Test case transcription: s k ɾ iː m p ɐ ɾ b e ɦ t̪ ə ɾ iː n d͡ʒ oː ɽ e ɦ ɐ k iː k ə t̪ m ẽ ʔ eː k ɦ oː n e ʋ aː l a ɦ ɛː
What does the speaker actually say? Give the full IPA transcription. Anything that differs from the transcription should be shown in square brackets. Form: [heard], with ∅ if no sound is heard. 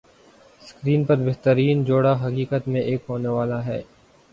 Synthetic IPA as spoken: s k ɾ iː [n] p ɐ ɾ b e ɦ t̪ ə ɾ iː n d͡ʒ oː ɽ [a] ɦ ɐ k iː k ə t̪ m ẽ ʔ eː k ɦ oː n e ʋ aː l a ɦ ɛː